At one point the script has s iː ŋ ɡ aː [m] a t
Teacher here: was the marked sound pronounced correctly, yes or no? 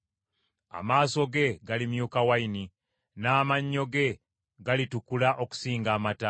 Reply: yes